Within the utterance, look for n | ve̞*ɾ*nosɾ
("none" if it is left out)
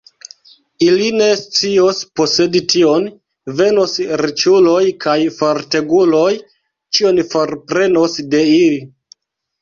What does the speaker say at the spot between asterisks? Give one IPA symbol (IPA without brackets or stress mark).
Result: none